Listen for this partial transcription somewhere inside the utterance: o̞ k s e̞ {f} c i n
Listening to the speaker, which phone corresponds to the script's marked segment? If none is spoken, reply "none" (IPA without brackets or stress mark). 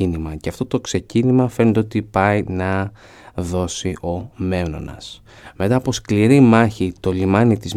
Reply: none